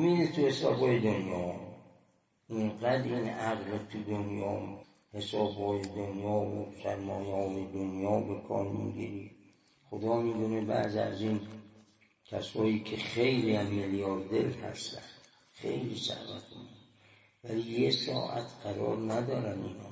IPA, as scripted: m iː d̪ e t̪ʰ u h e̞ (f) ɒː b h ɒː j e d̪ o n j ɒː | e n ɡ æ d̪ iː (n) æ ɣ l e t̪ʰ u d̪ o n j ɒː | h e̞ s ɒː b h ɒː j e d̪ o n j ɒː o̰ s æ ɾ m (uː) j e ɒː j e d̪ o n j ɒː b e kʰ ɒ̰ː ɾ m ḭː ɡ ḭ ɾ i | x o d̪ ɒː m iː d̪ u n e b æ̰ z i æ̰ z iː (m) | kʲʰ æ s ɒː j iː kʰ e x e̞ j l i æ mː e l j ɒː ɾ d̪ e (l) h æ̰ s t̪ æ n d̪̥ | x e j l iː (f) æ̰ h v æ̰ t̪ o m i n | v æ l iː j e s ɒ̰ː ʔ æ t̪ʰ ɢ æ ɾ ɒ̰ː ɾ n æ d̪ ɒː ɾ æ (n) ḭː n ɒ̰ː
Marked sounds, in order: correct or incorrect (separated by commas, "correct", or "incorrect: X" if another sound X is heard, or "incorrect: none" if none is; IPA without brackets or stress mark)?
incorrect: s, correct, incorrect: ɒː, incorrect: n, correct, incorrect: s, correct